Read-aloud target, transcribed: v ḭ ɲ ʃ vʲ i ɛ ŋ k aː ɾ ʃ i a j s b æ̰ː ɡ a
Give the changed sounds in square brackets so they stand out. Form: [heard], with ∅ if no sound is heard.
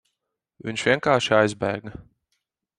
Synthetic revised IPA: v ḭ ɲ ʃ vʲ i ɛ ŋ k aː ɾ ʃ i a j [z] b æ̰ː ɡ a